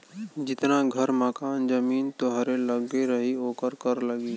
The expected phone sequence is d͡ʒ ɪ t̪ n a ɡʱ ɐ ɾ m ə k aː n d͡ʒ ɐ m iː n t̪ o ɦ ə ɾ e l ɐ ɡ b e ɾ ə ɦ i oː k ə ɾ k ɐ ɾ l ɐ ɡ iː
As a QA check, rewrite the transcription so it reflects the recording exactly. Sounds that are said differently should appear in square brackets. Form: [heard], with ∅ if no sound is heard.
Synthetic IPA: d͡ʒ ɪ t̪ n a ɡʱ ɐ ɾ m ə k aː n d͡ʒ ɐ m iː n t̪ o ɦ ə ɾ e l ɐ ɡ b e ɾ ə ɦ i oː k ə ɾ k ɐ ɾ l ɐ ɡ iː